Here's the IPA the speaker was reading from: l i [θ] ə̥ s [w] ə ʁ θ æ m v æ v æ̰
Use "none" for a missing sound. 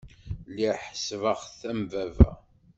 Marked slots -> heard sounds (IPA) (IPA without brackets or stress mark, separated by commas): ħ, v